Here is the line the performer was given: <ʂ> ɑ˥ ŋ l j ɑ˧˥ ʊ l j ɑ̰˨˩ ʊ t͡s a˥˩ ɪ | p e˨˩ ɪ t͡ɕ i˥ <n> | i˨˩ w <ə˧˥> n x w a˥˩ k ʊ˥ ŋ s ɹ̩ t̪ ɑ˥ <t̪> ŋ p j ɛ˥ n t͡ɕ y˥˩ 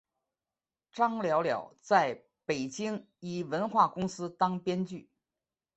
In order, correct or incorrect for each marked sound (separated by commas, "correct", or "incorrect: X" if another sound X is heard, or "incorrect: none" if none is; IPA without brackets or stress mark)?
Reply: incorrect: ʈ͡ʂ, incorrect: ŋ, correct, incorrect: none